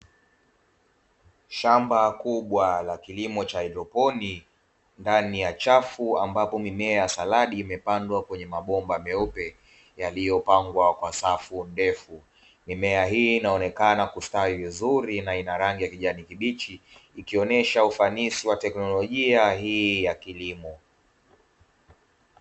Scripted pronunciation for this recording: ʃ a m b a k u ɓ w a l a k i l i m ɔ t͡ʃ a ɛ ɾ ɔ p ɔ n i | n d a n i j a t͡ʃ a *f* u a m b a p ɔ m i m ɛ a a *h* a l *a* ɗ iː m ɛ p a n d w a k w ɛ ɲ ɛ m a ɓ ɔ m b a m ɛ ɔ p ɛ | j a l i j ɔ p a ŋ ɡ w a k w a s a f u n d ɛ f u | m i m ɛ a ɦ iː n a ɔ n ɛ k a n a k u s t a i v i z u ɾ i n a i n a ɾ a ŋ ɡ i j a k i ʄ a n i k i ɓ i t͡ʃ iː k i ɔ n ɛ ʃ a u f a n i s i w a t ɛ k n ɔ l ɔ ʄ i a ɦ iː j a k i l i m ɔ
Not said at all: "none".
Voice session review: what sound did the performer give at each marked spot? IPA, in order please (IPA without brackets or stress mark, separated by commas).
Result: f, s, a